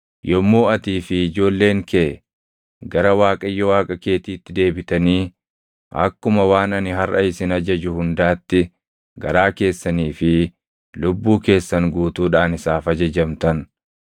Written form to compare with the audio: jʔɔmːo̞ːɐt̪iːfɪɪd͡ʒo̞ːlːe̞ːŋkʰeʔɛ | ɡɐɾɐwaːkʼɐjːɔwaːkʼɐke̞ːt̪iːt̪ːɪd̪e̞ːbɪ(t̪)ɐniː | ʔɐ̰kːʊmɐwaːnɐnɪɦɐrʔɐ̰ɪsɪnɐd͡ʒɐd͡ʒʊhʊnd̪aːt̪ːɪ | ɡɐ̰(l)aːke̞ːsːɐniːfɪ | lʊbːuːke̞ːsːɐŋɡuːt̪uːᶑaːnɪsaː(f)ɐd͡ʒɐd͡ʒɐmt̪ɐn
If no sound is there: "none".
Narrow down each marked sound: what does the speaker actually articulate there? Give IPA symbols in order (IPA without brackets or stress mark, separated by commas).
t̪, ɾ, f